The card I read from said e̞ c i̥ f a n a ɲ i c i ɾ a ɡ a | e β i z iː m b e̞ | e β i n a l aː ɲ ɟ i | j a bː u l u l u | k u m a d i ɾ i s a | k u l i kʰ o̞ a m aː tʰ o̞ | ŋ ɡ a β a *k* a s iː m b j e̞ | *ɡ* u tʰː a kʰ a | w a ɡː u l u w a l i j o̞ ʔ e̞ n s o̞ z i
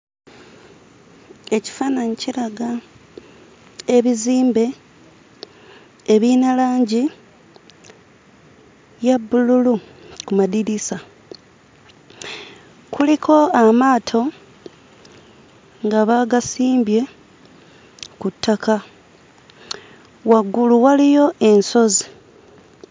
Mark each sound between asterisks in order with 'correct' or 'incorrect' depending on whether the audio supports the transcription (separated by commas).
incorrect, incorrect